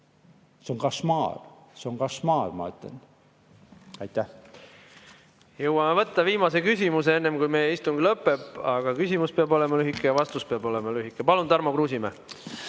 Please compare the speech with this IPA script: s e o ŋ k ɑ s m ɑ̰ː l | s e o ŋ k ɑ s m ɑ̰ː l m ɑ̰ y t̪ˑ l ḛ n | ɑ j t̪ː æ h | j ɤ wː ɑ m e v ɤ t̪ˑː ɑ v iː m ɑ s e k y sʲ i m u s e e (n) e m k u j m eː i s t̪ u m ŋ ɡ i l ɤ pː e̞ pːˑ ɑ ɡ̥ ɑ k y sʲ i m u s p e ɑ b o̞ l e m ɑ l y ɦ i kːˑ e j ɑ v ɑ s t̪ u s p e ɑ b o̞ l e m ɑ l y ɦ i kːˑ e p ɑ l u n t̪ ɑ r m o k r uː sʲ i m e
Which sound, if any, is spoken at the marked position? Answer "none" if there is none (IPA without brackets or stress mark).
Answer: nː